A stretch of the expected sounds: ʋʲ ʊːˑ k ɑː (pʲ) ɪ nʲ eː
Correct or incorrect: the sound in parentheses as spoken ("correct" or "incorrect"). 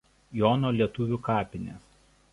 correct